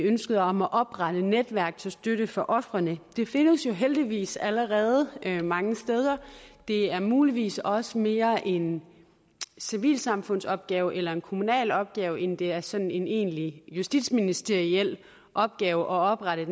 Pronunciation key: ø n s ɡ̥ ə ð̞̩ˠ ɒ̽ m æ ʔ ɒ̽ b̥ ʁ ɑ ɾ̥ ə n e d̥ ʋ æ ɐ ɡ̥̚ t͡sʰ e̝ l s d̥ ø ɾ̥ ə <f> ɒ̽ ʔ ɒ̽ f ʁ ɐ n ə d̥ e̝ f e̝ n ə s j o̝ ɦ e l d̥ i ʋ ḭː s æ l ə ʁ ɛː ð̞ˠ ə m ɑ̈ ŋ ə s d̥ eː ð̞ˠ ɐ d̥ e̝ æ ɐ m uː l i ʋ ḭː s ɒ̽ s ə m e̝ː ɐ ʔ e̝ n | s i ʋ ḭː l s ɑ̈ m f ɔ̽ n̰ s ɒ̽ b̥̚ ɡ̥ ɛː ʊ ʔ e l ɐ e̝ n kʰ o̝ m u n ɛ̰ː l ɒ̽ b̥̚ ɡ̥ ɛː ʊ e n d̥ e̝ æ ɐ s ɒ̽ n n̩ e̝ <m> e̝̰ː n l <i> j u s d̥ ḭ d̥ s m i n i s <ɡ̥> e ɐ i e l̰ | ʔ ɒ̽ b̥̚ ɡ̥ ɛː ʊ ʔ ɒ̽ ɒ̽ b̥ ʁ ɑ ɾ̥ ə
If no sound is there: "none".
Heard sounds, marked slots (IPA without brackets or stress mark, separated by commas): f, n, i, d̥